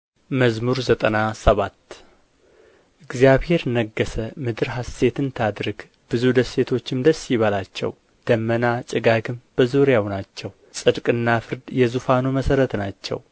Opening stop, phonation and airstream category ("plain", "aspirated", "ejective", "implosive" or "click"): ejective